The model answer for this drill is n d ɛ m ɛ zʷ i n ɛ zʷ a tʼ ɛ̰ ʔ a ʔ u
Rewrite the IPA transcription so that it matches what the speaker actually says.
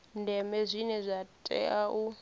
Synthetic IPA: n d ɛ m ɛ zʷ i n ɛ zʷ a tʼ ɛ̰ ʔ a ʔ u